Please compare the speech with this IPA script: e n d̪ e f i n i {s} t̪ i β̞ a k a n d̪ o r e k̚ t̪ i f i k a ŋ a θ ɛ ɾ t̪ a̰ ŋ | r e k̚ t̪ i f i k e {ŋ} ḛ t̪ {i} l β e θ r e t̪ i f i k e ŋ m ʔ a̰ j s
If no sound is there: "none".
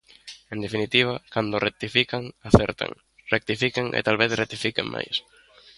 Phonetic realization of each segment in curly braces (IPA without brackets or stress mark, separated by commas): none, ŋ, a